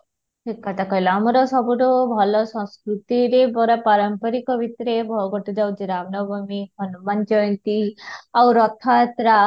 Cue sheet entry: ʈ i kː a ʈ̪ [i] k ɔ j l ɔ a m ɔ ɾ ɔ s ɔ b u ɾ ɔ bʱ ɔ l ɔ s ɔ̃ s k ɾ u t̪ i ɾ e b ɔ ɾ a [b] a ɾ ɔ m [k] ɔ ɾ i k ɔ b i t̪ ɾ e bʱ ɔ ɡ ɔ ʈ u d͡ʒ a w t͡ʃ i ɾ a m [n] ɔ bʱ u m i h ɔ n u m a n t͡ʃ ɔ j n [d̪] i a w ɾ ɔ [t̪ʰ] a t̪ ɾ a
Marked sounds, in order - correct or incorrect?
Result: incorrect: a, incorrect: p, incorrect: p, correct, incorrect: t̪, correct

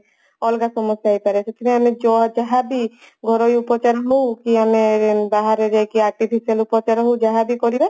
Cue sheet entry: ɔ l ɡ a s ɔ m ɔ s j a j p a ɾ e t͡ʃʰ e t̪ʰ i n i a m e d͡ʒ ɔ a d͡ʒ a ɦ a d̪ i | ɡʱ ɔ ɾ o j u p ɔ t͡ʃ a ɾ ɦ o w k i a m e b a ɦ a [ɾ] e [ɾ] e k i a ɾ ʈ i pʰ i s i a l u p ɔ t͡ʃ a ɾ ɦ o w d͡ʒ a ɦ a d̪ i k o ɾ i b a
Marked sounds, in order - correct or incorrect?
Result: correct, correct

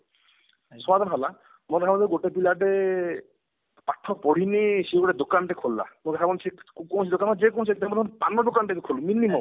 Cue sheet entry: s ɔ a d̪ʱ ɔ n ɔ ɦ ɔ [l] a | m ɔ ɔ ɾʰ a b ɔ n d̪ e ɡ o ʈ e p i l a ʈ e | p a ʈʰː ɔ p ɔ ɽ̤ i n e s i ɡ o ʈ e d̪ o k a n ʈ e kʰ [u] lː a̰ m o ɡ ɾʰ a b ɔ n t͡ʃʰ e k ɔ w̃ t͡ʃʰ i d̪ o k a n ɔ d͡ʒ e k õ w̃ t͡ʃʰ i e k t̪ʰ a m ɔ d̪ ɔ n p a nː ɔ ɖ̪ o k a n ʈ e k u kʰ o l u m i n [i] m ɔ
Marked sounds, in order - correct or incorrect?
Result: correct, incorrect: o, correct

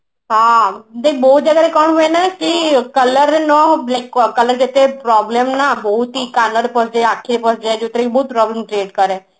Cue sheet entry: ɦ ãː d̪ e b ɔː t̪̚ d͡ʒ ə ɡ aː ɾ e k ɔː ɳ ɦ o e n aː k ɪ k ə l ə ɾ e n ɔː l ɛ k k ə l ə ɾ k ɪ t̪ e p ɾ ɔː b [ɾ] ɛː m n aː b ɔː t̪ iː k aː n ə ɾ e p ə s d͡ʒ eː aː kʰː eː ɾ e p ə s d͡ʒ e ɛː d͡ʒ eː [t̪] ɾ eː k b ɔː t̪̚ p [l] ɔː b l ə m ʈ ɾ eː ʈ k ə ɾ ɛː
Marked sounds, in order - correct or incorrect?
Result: incorrect: l, correct, incorrect: ɾ

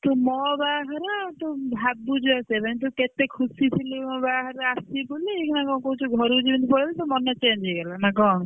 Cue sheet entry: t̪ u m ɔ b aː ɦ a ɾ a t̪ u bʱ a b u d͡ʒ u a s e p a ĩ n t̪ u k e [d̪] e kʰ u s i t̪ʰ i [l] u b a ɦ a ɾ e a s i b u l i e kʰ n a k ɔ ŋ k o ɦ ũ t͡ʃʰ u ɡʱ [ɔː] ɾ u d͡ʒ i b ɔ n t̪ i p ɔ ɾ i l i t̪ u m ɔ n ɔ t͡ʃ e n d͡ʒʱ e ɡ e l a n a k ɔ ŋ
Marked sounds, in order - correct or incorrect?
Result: incorrect: t̪, correct, incorrect: ɔ

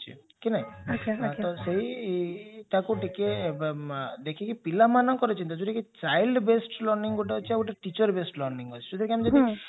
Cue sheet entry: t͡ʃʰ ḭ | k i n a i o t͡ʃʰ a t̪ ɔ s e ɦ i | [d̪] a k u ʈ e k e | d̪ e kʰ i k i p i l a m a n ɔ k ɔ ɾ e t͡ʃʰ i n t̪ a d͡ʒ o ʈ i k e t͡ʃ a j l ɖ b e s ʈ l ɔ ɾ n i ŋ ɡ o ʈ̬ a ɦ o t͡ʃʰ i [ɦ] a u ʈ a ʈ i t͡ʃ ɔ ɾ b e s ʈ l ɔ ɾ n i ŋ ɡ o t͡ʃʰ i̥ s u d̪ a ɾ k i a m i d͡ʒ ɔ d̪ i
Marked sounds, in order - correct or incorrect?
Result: incorrect: t̪, incorrect: none

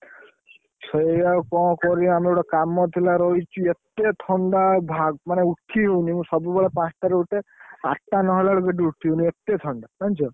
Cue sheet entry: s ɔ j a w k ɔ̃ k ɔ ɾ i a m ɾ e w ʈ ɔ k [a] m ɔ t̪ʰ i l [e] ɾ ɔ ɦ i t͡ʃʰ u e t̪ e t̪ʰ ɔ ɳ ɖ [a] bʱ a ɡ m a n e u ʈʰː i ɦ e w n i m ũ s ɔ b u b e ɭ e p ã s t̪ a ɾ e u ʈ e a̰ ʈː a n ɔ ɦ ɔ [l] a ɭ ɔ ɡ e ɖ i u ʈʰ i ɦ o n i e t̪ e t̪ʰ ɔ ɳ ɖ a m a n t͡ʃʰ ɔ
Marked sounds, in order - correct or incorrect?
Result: correct, incorrect: a, correct, correct

